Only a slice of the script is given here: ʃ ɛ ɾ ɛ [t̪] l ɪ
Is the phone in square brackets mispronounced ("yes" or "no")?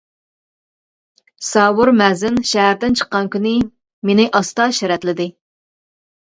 no